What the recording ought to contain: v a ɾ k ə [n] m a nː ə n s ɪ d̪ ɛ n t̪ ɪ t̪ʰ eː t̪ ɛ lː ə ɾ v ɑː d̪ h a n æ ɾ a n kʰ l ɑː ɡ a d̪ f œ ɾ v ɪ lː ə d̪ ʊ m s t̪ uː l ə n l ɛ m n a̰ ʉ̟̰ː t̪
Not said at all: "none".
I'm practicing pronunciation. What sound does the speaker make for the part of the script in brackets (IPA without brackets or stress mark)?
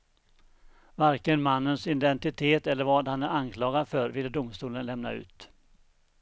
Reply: n